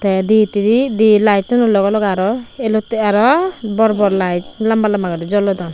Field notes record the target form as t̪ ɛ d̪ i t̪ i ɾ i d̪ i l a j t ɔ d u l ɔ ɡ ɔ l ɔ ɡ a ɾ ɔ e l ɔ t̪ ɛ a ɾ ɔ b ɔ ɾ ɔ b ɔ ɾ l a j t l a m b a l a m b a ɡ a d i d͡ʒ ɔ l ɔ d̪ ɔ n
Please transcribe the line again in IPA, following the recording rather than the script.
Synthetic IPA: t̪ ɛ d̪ i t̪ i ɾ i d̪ i l a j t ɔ n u l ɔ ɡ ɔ l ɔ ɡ a ɾ ɔ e l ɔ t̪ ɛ a ɾ ɔ b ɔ ɾ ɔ b ɔ ɾ l a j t l a m b a l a m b a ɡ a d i d͡ʒ ɔ l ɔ d̪ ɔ n